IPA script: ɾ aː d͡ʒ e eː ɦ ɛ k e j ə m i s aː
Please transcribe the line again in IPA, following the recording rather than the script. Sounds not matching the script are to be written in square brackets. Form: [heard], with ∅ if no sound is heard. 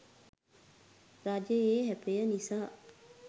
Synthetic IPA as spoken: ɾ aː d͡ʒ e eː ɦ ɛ [p] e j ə [n] i s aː